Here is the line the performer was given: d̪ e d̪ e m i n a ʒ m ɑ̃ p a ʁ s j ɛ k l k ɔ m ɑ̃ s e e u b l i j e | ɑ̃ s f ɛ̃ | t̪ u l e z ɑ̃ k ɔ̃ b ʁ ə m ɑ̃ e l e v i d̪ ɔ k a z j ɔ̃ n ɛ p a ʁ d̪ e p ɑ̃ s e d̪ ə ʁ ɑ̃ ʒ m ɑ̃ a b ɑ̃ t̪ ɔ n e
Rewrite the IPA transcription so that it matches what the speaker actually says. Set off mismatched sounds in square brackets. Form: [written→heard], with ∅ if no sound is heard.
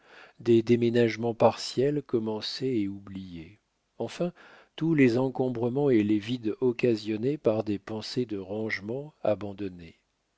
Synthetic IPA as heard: d̪ e d̪ e m [i→e] n a ʒ m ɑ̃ p a ʁ s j ɛ [k→∅] l k ɔ m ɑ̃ s e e u b l i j e | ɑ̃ [s→∅] f ɛ̃ | t̪ u l e z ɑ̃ k ɔ̃ b ʁ ə m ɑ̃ e l e v i d̪ ɔ k a z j [ɔ̃→ɔ] n [ɛ→e] p a ʁ d̪ e p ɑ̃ s e d̪ ə ʁ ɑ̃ ʒ m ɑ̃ a b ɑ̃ [t̪→d̪] ɔ n e

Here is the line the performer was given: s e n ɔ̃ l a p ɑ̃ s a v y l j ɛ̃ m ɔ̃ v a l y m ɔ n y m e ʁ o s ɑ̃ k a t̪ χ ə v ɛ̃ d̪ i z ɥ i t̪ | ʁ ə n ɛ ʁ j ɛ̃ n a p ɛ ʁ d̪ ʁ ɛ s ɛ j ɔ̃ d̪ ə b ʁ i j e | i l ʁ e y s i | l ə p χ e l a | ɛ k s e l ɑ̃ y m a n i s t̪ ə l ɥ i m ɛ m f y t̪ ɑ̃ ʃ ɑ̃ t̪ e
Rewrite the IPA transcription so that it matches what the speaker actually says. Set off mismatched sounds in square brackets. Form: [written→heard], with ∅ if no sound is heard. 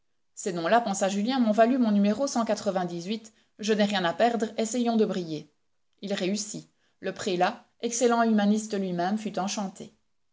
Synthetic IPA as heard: s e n ɔ̃ l a p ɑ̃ s a [v→ʒ] y l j ɛ̃ m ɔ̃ v a l y m [ɔ→ɔ̃] n y m e ʁ o s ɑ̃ k a t̪ χ ə v ɛ̃ d̪ i z ɥ i t̪ | [ʁ→ʒ] ə n ɛ ʁ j ɛ̃ n a p ɛ ʁ d̪ ʁ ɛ s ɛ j ɔ̃ d̪ ə b ʁ i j e | i l ʁ e y s i | l ə p χ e l a | ɛ k s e l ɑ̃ y m a n i s t̪ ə l ɥ i m ɛ m f y t̪ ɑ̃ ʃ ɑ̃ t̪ e

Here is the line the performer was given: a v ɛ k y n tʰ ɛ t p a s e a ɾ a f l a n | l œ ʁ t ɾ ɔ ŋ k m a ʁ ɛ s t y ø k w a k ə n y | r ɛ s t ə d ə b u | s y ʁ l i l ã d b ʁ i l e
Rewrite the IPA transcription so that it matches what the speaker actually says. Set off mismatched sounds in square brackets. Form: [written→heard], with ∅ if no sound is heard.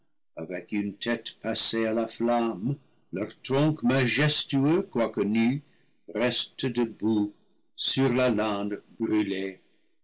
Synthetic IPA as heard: a v ɛ k y n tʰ ɛ t p a s e a [ɾ→l] a f l a [n→m] | l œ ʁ t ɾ [ɔ→ɔ̃] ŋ k m a [ʁ→ʒ] ɛ s t y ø k w a k ə n y | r ɛ s t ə d ə b u | s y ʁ l [i→a] l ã d b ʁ [i→y] l e

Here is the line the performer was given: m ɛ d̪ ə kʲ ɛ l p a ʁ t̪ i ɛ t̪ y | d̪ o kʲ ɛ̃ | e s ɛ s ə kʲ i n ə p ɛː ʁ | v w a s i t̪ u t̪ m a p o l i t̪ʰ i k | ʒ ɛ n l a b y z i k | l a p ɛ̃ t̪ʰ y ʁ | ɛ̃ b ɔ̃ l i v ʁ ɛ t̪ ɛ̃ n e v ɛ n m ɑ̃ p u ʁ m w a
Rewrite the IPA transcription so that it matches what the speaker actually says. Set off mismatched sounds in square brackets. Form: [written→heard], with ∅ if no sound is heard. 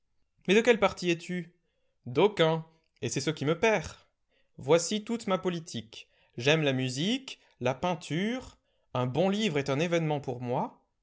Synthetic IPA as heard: m ɛ d̪ ə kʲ ɛ l p a ʁ t̪ i ɛ t̪ y | d̪ o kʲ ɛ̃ | e s ɛ s ə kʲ i [n→m] ə p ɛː ʁ | v w a s i t̪ u t̪ m a p [o→ɔ] l i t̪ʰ i k | ʒ ɛ [n→m] l a [b→m] y z i k | l a p ɛ̃ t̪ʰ y ʁ | ɛ̃ b ɔ̃ l i v ʁ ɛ t̪ ɛ̃ n e v ɛ n m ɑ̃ p u ʁ m w a

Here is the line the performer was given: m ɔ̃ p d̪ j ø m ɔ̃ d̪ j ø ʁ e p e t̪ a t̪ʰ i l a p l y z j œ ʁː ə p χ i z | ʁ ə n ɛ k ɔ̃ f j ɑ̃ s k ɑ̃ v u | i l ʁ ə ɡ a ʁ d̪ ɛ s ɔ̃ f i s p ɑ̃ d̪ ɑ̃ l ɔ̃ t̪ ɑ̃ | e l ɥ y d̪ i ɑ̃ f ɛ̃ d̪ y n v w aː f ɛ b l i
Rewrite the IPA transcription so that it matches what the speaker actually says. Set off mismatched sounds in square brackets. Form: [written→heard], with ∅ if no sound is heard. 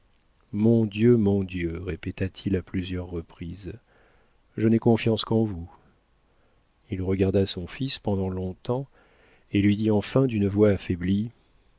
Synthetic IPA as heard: m ɔ̃ [p→∅] d̪ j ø m ɔ̃ d̪ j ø ʁ e p e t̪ a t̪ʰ i l a p l y z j œ ʁː ə p χ i z | [ʁ→ʒ] ə n ɛ k ɔ̃ f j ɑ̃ s k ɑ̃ v u | i l ʁ ə ɡ a ʁ d̪ [ɛ→a] s ɔ̃ f i s p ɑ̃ d̪ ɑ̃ l ɔ̃ t̪ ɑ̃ | e l ɥ [y→i] d̪ i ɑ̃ f ɛ̃ d̪ y n v w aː f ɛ b l i

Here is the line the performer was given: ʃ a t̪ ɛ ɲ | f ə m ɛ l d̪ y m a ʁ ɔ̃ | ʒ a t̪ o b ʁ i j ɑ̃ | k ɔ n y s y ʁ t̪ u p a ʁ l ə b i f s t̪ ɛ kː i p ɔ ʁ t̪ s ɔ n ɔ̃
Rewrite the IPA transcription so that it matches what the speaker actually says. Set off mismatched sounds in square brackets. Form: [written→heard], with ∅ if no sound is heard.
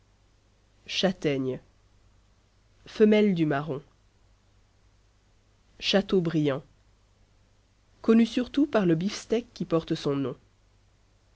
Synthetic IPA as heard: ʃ a t̪ ɛ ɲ | f ə m ɛ l d̪ y m a ʁ ɔ̃ | [ʒ→ʃ] a t̪ o b ʁ i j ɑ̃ | k ɔ n y s y ʁ t̪ u p a ʁ l ə b i f s t̪ ɛ kː i p ɔ ʁ t̪ s [ɔ→ɔ̃] n ɔ̃

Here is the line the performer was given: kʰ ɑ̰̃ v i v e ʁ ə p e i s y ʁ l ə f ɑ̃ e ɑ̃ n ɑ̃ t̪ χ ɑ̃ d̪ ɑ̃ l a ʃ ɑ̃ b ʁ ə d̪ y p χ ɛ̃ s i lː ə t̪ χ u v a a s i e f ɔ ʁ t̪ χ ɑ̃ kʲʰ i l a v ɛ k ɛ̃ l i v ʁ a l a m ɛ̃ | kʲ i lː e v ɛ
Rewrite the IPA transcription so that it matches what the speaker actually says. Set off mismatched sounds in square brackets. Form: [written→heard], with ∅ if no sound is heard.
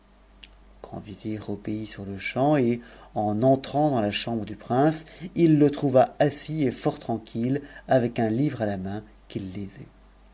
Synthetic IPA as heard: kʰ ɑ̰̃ v i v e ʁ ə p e i s y ʁ l ə [f→ʃ] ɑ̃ e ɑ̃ n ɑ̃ t̪ χ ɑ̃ d̪ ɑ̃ l a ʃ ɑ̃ b ʁ ə d̪ y p χ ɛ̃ s i lː ə t̪ χ u v a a s i e f ɔ ʁ t̪ χ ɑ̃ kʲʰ i l a v ɛ k ɛ̃ l i v ʁ a l a m ɛ̃ | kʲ i lː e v ɛ

